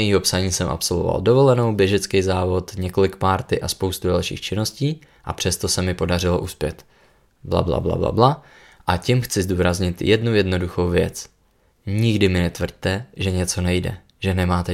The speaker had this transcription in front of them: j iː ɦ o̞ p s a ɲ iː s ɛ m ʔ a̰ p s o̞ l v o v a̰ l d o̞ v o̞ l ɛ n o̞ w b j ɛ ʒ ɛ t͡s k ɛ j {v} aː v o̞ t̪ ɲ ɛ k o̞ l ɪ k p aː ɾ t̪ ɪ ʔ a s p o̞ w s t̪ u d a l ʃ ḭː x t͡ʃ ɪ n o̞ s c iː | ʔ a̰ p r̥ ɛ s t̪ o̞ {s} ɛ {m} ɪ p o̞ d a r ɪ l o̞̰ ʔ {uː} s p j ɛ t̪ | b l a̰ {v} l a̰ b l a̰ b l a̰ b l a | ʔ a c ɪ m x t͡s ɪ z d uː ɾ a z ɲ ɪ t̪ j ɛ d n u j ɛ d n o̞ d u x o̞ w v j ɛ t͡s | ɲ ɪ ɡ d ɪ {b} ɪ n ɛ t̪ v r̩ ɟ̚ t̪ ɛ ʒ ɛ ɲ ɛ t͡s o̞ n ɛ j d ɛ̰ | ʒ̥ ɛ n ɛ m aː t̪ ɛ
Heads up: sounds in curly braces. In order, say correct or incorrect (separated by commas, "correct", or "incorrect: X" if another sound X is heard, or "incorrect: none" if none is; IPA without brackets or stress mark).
incorrect: z, correct, correct, incorrect: u, incorrect: b, incorrect: m